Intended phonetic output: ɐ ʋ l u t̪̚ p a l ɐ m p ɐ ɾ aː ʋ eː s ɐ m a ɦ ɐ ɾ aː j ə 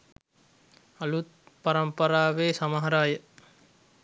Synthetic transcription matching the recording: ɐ l u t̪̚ p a ɾ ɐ m p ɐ ɾ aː ʋ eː s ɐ m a ɦ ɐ ɾ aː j ə